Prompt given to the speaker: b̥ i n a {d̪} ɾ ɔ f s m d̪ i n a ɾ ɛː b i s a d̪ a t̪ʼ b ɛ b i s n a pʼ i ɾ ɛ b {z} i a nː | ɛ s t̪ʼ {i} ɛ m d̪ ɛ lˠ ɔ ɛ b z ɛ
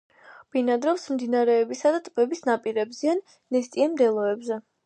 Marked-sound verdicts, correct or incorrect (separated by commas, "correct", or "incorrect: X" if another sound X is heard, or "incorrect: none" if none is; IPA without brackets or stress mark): correct, correct, correct